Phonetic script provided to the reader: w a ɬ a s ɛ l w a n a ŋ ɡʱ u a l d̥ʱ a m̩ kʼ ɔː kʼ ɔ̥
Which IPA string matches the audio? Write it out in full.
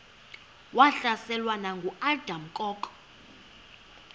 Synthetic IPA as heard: w a ɬ a s ɛ l w a n a ŋ ɡʱ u a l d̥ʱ a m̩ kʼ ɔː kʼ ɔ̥